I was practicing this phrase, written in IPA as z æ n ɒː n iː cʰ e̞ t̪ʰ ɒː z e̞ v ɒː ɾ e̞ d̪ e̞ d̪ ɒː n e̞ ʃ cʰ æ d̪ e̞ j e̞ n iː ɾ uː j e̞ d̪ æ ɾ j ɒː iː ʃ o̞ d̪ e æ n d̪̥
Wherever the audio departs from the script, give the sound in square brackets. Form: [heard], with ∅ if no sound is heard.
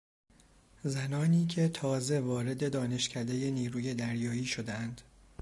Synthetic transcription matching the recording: z æ n ɒː n iː cʰ e̞ t̪ʰ ɒː z e̞ v ɒː ɾ e̞ d̪ e̞ d̪ ɒː n e̞ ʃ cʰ æ d̪ e̞ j e̞ n iː ɾ uː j e̞ d̪ æ ɾ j ɒː iː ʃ o̞ d̪ e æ n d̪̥